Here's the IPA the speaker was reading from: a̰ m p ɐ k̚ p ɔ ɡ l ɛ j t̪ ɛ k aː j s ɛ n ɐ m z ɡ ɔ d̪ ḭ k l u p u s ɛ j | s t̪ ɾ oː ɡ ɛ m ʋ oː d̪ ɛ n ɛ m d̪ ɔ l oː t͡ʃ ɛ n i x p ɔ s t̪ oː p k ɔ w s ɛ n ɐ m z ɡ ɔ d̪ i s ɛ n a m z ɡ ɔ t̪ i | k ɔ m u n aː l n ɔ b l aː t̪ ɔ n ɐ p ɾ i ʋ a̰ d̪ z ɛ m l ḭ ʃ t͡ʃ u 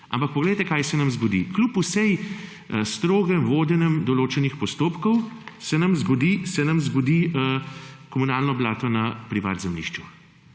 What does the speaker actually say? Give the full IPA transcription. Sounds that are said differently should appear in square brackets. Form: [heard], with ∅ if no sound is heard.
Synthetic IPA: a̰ m p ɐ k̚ p ɔ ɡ l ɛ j t̪ ɛ k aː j s ɛ n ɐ m z ɡ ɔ d̪ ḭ k l u p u s ɛ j | s t̪ ɾ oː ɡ ɛ m ʋ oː d̪ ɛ n ɛ m d̪ ɔ l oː t͡ʃ ɛ n i x p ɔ s t̪ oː p k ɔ w s ɛ n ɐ m z ɡ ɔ d̪ i s ɛ n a m z ɡ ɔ [d̪] i | k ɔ m u n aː l n ɔ b l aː t̪ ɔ n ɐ p ɾ i ʋ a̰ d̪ z ɛ m l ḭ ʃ t͡ʃ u